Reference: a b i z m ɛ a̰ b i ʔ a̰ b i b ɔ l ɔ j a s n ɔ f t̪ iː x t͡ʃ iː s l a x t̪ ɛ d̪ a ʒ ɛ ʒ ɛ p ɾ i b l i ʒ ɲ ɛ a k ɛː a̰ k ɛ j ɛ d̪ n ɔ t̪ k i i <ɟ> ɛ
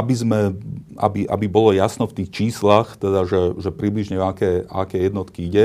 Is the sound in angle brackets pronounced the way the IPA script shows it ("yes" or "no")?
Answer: yes